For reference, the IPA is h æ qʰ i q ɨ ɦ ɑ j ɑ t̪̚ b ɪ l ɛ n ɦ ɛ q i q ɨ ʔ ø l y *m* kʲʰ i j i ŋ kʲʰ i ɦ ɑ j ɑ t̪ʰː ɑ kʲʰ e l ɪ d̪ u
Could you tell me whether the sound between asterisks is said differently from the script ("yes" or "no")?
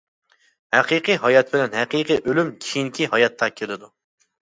no